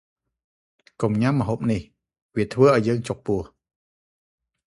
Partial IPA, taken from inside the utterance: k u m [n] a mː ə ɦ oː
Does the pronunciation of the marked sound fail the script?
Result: yes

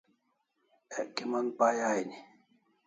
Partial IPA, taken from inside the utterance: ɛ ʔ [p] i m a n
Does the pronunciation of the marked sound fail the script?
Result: yes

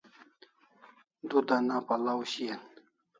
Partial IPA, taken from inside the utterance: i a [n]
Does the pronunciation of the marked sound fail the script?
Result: no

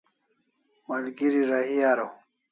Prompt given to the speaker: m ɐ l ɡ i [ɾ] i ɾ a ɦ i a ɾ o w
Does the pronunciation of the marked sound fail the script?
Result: no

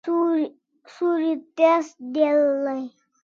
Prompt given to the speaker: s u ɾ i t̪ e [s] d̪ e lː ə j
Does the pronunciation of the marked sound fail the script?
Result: no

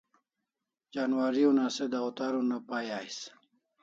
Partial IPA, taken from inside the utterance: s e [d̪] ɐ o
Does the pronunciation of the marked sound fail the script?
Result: no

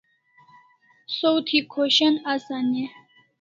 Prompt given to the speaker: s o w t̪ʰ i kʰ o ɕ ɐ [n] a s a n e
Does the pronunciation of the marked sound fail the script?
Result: no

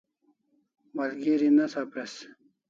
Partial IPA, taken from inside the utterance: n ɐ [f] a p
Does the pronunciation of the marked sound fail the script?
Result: yes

